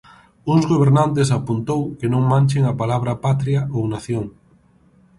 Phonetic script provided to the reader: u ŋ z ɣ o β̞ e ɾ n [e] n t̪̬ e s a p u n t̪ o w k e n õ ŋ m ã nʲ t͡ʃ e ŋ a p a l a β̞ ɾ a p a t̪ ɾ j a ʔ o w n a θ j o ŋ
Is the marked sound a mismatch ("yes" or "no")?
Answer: yes